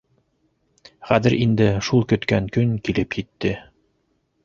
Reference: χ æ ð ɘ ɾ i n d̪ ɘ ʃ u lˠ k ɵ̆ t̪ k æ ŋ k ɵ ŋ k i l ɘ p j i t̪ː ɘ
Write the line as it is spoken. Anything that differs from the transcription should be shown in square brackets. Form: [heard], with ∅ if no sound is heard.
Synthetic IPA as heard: χ æ ð ɘ ɾ i n d̪ ɘ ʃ u lˠ k ɵ̆ t̪ k æ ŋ k ɵ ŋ k i l ɘ p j i t̪ː ɘ